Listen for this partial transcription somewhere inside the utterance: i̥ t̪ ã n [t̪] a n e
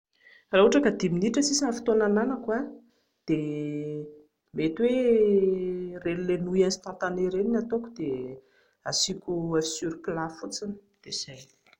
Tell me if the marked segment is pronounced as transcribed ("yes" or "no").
yes